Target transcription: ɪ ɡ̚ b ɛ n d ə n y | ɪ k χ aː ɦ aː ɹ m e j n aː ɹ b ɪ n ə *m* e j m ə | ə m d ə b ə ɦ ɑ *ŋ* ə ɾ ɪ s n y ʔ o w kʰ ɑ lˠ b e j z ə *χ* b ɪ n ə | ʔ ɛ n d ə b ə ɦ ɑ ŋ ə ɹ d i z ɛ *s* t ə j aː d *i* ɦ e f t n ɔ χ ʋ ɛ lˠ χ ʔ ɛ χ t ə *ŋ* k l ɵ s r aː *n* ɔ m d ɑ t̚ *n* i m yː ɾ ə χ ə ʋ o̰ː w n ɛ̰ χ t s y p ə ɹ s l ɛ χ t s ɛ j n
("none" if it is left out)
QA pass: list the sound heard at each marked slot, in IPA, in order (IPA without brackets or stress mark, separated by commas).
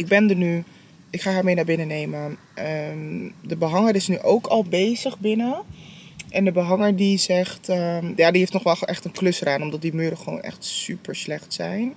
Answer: n, ŋ, χ, χ, i, n, n, d